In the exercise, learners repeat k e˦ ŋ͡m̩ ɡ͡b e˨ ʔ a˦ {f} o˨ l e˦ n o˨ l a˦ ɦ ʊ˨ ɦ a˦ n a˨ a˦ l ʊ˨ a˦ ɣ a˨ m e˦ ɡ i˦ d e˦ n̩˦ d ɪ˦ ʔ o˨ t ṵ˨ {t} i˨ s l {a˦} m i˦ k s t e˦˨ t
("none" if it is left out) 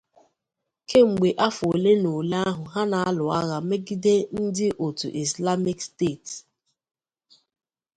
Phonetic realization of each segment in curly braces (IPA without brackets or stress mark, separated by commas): f, ʔ, a˦